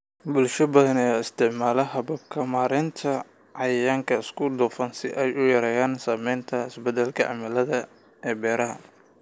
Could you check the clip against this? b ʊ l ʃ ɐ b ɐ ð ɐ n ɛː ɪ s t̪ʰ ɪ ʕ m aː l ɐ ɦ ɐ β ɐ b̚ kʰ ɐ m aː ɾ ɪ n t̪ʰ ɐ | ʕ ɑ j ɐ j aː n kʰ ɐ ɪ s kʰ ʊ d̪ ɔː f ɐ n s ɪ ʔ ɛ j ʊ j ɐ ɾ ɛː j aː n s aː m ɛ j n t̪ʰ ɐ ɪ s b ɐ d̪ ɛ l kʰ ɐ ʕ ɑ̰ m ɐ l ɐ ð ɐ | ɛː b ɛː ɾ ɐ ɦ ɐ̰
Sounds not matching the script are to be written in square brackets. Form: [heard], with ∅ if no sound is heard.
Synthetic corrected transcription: b ʊ l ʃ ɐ b ɐ ð ɐ n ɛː ɪ s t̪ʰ ɪ ʕ m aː l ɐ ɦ ɐ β ɐ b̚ kʰ ɐ m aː ɾ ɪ n t̪ʰ ɐ | ʕ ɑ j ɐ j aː [ŋ] kʰ ɐ ɪ s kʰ ʊ d̪ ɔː f ɐ n s ɪ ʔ ɛ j ʊ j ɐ ɾ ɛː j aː n s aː m ɛ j n t̪ʰ ɐ ɪ s b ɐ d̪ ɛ l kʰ ɐ ʕ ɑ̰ m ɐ l ɐ ð ɐ | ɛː b ɛː ɾ ɐ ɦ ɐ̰